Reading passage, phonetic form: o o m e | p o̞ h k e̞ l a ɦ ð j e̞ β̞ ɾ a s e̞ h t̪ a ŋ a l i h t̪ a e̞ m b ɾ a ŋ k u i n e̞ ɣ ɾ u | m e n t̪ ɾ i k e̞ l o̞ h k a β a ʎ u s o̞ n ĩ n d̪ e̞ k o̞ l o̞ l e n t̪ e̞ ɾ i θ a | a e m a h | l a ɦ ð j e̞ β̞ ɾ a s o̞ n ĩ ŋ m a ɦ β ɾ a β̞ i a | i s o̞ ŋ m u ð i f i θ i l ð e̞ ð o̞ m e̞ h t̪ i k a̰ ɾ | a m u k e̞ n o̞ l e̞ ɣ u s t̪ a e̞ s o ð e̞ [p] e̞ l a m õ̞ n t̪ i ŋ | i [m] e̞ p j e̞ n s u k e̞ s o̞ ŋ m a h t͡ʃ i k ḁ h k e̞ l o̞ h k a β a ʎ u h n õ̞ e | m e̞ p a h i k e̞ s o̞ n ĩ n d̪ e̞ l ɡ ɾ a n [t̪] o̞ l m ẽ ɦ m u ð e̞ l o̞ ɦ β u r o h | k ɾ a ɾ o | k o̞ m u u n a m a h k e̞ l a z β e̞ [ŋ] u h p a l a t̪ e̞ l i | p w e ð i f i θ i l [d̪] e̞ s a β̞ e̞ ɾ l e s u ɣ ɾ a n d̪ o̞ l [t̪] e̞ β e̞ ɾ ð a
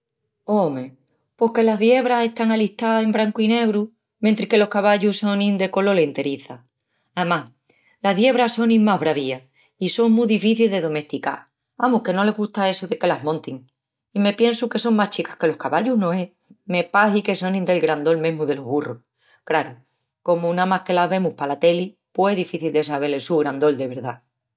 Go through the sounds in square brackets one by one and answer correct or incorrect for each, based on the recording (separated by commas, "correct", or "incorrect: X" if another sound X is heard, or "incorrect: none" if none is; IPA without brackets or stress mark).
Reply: incorrect: k, correct, incorrect: d̪, incorrect: m, correct, incorrect: d̪